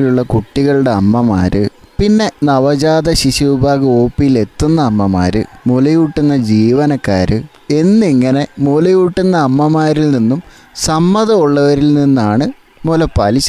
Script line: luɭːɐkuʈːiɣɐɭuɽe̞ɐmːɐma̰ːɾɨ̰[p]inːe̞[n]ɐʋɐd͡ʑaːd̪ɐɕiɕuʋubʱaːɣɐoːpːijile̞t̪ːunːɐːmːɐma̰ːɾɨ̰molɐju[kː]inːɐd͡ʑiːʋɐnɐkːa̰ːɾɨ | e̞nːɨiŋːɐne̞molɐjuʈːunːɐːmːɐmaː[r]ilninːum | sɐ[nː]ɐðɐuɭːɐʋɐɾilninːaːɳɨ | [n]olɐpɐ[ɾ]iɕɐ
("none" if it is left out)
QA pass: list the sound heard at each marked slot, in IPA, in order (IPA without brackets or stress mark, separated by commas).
p, n, ʈː, ɾ, mː, m, l